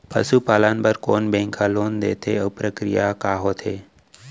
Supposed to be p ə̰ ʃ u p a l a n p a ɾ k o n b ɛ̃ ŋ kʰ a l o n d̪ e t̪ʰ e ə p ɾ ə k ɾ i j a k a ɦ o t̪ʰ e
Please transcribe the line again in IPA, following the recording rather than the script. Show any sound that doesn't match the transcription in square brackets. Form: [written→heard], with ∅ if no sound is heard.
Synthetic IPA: p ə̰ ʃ u p a l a n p [a→ə] ɾ k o n b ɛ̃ ŋ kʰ a l o n d̪ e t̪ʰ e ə p ɾ ə k ɾ i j a k a ɦ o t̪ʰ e